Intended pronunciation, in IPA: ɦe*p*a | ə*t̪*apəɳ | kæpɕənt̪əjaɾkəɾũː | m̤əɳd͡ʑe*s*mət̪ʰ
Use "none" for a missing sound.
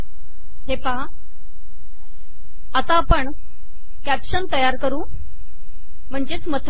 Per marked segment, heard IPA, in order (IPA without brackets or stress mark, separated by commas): p, t̪, t͡s